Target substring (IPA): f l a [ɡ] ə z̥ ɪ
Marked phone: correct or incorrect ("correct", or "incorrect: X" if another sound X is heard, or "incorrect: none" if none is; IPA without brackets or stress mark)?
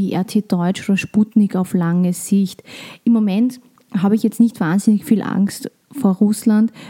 incorrect: ŋ